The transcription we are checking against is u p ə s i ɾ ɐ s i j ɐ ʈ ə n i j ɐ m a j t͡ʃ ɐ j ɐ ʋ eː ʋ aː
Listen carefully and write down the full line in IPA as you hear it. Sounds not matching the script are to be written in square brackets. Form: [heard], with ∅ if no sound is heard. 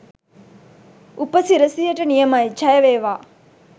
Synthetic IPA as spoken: u p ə s i ɾ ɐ s i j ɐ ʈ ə n i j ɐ m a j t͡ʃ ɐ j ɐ ʋ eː ʋ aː